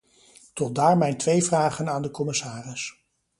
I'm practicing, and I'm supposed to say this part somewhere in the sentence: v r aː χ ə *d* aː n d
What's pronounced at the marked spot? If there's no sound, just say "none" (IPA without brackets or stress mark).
n